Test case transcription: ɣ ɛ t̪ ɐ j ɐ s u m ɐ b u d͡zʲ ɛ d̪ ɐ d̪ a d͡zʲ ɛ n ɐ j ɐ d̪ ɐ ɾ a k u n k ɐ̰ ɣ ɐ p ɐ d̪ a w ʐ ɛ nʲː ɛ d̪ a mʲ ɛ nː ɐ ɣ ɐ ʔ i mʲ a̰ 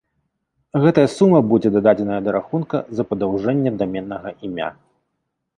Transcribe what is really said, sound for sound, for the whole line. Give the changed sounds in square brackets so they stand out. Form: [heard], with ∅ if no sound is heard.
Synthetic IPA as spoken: ɣ ɛ t̪ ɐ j ɐ s u m ɐ b u d͡zʲ ɛ d̪ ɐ d̪ a d͡zʲ ɛ n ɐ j ɐ d̪ ɐ ɾ a [x] u n k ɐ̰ [z] ɐ p ɐ d̪ a w ʐ ɛ nʲː ɛ d̪ a mʲ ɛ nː ɐ ɣ ɐ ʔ i mʲ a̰